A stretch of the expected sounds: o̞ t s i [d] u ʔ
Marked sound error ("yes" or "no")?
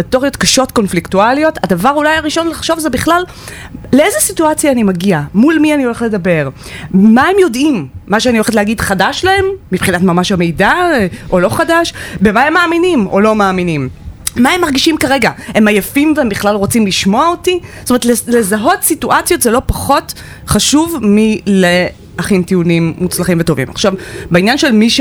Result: yes